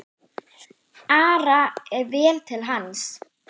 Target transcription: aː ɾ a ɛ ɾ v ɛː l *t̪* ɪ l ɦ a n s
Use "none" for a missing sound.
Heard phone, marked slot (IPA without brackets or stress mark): t̪ʰ